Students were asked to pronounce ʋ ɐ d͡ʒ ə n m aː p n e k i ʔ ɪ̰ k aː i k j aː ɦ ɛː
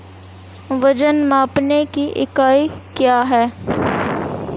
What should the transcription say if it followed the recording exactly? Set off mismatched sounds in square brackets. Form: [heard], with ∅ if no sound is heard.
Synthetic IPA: ʋ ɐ d͡ʒ ə n m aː p n e k i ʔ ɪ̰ k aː i k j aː ɦ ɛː

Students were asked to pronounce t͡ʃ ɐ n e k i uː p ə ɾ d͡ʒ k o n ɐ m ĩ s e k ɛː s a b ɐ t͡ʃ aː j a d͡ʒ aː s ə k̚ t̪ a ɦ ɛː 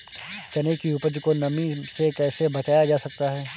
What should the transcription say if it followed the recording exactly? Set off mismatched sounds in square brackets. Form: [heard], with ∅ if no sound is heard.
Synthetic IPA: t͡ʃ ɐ n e k i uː p ə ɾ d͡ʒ k o n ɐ m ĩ s e k ɛː s [e] b ɐ t͡ʃ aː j a d͡ʒ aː s [ɐ] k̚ t̪ a ɦ ɛː

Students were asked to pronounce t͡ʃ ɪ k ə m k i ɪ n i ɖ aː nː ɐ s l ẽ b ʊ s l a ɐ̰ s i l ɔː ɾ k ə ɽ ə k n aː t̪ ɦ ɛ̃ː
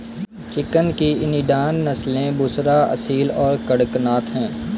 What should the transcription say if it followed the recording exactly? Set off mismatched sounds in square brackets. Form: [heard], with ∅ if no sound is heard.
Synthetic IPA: t͡ʃ ɪ k ə [n] k i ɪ n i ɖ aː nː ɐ s l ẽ b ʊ s [ɾ] a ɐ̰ s [iː] l ɔː ɾ k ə ɽ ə k n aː t̪ ɦ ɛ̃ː

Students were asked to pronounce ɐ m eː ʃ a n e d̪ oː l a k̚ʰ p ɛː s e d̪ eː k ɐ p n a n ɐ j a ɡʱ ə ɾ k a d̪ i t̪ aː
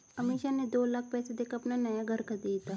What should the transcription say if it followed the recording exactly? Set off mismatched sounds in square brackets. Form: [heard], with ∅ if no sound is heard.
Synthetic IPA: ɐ m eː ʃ a n e d̪ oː l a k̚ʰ p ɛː s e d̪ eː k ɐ p n a n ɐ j a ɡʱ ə ɾ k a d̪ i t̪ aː

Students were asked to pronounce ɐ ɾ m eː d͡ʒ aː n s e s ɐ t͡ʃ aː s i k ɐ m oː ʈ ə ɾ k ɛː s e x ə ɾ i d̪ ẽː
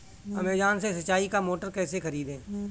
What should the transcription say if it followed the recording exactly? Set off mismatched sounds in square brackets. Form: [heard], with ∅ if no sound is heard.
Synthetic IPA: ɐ [∅] m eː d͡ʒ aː n s e s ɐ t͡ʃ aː [∅] i k [a] m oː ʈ ə ɾ k ɛː s e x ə ɾ [iː] d̪ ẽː

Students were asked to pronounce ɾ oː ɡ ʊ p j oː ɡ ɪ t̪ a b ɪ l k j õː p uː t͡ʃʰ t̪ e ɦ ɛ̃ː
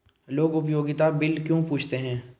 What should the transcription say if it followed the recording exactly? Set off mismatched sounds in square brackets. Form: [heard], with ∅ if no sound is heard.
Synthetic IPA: [l] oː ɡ ʊ p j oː ɡ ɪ t̪ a b ɪ l k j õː p uː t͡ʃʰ t̪ e ɦ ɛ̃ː

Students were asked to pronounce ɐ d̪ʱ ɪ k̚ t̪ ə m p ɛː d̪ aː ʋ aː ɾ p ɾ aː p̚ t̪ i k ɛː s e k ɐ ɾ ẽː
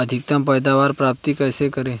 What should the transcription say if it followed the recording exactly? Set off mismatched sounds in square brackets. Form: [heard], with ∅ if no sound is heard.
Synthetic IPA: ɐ d̪ʱ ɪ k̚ t̪ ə m p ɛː d̪ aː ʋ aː ɾ p ɾ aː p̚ t̪ i k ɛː s e k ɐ ɾ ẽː

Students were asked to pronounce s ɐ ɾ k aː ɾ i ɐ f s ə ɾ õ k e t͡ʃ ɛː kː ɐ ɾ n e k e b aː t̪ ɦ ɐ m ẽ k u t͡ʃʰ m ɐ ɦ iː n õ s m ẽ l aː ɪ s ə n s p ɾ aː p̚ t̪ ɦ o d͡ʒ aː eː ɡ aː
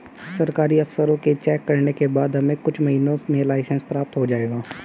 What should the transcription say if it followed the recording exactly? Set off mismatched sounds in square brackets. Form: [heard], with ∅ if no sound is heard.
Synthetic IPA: s ɐ ɾ k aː ɾ i ɐ f s ə ɾ õ k e t͡ʃ ɛː kː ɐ ɾ n e k e b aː [d̪] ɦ ɐ m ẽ k [ʊ] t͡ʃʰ m ɐ ɦ iː n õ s m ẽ l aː ɪ s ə n s p ɾ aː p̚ t̪ ɦ o d͡ʒ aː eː ɡ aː

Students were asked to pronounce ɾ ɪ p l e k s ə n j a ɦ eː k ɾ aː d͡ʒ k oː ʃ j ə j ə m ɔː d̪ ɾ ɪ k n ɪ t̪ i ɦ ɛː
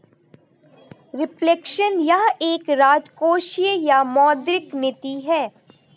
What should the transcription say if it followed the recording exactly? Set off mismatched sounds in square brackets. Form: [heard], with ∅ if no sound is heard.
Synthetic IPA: ɾ ɪ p l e k [ʃ] ə n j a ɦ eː k ɾ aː d͡ʒ k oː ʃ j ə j [a] m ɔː d̪ ɾ ɪ k n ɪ t̪ i ɦ ɛː

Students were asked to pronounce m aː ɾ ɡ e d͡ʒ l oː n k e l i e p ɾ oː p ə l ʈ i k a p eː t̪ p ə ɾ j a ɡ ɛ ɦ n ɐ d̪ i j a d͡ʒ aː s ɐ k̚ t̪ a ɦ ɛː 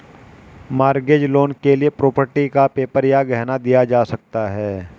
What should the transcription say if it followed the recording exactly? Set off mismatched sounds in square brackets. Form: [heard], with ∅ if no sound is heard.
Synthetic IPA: m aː ɾ ɡ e d͡ʒ l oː n k e l i e p ɾ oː p ə [ɾ] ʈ i k a p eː [∅] p ə ɾ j a ɡ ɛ ɦ n [a] d̪ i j a d͡ʒ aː s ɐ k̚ t̪ a ɦ ɛː

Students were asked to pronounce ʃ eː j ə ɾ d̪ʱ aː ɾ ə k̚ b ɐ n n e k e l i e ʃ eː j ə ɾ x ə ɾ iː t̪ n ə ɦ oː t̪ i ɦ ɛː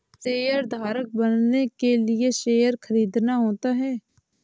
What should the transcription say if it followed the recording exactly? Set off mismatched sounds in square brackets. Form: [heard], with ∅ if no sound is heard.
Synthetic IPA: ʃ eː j ə ɾ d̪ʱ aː ɾ ə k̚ b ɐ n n e k e l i e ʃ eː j ə ɾ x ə ɾ iː [d̪] n [a] ɦ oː t̪ [a] ɦ ɛː

